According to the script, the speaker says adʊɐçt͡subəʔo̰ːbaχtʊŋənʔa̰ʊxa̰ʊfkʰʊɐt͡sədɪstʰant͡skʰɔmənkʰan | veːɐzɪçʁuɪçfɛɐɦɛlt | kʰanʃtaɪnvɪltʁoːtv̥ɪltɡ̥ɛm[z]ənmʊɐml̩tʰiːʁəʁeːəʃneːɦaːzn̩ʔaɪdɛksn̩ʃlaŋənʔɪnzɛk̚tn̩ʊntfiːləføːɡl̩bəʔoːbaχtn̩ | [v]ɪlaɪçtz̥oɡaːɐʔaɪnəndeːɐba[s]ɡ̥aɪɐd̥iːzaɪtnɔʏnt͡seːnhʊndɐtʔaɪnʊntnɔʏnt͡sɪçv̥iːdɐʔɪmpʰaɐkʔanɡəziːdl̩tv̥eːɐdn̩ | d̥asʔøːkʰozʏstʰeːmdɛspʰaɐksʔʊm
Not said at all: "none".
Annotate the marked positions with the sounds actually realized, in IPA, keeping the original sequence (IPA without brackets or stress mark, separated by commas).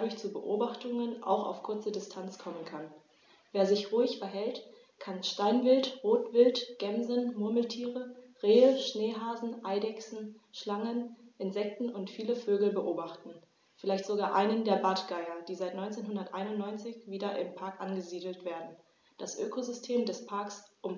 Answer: z, f, t